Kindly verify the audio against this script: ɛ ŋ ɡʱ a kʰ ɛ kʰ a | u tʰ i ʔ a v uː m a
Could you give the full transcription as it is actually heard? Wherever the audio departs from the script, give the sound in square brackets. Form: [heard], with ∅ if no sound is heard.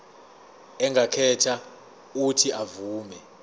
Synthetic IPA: ɛ ŋ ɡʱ a kʰ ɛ [tʰ] a | u tʰ i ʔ a v uː m [ɛ]